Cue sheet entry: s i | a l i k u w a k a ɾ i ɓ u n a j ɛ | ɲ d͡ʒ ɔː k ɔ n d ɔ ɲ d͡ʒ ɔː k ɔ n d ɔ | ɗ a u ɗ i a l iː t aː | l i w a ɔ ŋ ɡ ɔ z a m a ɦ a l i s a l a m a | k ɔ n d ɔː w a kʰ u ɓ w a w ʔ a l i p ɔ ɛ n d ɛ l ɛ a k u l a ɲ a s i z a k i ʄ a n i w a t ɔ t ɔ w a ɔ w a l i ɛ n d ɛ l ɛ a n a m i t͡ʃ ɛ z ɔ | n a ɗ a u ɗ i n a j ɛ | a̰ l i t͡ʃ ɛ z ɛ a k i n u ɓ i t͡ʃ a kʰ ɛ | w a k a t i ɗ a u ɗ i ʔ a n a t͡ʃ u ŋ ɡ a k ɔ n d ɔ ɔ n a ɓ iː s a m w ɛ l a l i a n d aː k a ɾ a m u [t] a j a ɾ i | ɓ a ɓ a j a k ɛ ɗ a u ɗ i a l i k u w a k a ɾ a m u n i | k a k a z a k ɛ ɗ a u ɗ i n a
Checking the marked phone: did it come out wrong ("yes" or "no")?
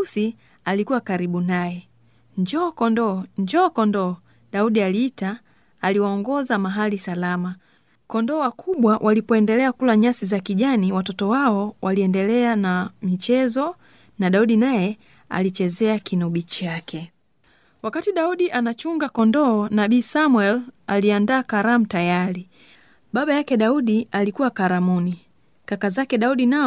no